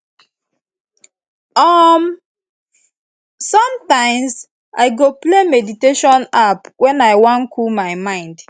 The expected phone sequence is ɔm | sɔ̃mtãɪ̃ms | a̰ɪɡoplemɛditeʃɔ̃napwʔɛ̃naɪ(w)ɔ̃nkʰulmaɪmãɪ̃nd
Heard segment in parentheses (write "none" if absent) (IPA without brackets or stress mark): w